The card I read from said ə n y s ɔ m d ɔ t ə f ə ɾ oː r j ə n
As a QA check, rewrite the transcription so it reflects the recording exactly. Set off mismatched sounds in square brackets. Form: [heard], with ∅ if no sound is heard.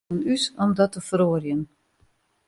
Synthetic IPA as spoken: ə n y s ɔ m d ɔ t ə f ə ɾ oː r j ə n